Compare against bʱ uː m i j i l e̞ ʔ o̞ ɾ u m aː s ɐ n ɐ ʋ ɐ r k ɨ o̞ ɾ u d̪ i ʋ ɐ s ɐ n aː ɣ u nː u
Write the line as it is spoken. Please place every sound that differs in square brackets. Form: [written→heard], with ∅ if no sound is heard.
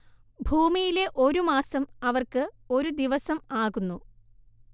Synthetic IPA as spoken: bʱ uː m i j i l e̞ ʔ o̞ ɾ u m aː s ɐ [n→m] ɐ ʋ ɐ r k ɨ o̞ ɾ u d̪ i ʋ ɐ s ɐ [n→m] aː ɣ u nː u

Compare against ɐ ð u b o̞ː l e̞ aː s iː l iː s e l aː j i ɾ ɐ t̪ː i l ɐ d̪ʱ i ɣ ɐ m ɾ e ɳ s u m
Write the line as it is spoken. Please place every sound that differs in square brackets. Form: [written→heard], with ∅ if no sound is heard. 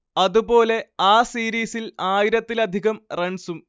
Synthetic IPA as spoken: ɐ ð u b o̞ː l e̞ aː s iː [l→ɾ] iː s [e→i] l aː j i ɾ ɐ t̪ː i l ɐ d̪ʱ i ɣ ɐ m [ɾ→r] e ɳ s u m

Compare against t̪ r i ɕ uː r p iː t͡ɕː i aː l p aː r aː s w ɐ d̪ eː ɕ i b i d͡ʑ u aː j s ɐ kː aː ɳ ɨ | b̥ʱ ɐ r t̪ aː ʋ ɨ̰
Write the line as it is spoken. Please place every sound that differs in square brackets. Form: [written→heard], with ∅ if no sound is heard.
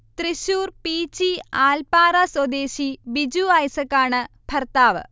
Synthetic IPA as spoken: t̪ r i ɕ uː r p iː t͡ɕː i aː l p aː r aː s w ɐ d̪ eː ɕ i b i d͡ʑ u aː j s ɐ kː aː ɳ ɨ | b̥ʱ ɐ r t̪ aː ʋ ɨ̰

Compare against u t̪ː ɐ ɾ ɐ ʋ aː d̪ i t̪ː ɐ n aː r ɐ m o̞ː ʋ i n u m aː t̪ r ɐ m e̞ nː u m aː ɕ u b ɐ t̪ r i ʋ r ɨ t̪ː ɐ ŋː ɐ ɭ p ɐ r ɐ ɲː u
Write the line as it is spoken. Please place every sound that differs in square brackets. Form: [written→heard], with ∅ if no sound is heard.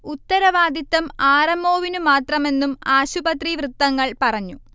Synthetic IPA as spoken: u t̪ː ɐ ɾ ɐ ʋ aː d̪ i t̪ː ɐ [n→m] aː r ɐ m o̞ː ʋ i n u m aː t̪ r ɐ m e̞ nː u m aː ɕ u b ɐ t̪ r i ʋ r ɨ t̪ː ɐ ŋː ɐ ɭ p ɐ r ɐ ɲː u

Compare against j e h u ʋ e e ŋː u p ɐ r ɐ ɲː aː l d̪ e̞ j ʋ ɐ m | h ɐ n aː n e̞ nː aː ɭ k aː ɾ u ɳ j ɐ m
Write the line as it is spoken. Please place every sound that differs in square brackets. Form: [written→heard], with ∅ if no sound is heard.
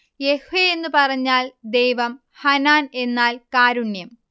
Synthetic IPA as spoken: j e h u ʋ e e [ŋː→nː] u p ɐ r ɐ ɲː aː l d̪ e̞ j ʋ ɐ m | h ɐ n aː n e̞ nː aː [ɭ→l] k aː ɾ u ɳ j ɐ m

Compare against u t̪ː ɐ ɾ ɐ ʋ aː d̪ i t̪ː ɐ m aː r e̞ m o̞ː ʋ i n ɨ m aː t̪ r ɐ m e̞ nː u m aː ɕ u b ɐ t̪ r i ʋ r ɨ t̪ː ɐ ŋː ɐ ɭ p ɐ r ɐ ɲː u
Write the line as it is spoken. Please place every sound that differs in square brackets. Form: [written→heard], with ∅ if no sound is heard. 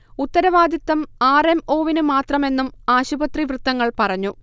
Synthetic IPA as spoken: u t̪ː ɐ ɾ ɐ ʋ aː d̪ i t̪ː ɐ m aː r e̞ m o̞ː ʋ i n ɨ m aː t̪ r ɐ m e̞ nː u m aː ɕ u b ɐ t̪ r i ʋ r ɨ t̪ː ɐ ŋː ɐ ɭ p ɐ r ɐ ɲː u

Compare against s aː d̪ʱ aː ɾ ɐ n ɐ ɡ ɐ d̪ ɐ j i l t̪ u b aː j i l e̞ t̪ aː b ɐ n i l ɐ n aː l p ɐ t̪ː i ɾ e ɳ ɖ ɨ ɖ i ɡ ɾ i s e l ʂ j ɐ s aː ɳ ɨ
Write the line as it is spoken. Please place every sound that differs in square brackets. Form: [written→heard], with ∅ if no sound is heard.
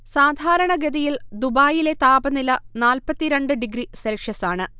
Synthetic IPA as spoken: s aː d̪ʱ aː ɾ ɐ [n→ɳ] ɐ ɡ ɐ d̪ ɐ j i l [t̪→d̪] u b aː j i l e̞ t̪ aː b ɐ n i l ɐ n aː l p ɐ t̪ː i ɾ e ɳ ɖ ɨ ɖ i ɡ ɾ i s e l ʂ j ɐ s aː ɳ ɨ

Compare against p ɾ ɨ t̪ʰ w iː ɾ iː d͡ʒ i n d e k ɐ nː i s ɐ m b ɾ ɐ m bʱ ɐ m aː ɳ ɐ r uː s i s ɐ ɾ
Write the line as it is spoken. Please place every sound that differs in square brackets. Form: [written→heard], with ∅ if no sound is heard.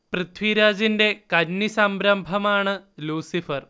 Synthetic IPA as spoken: p ɾ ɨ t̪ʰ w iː ɾ [iː→aː] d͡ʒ i n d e k ɐ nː i s ɐ m b ɾ ɐ m bʱ ɐ m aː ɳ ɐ [r→l] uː s i [s→f] ɐ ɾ

